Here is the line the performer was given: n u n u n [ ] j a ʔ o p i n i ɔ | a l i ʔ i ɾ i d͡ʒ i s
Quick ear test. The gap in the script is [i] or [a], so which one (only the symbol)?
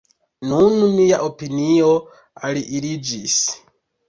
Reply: i